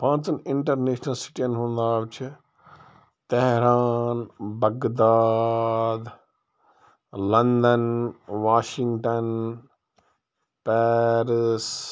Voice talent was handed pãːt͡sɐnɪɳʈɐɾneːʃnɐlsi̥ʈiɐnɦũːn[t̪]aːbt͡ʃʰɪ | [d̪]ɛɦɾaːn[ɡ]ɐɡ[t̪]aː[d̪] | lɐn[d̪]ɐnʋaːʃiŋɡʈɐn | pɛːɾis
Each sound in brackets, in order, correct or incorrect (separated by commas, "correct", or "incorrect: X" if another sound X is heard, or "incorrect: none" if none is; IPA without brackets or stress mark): incorrect: d̪, incorrect: t̪, incorrect: b, incorrect: d̪, correct, correct